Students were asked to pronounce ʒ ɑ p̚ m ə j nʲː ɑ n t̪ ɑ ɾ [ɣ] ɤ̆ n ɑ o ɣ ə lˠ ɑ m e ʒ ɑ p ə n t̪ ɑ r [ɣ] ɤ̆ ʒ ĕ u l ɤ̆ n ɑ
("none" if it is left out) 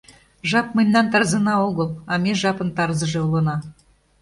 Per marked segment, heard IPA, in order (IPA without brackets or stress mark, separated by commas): z, z